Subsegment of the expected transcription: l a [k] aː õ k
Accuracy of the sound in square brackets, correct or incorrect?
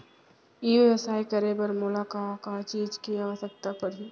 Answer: correct